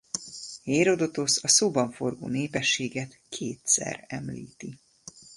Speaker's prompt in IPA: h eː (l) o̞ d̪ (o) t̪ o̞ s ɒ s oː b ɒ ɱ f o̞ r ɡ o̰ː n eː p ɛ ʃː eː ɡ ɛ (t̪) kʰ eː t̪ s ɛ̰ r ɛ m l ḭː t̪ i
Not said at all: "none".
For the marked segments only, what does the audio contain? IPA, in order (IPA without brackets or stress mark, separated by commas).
ɾ, o, t̪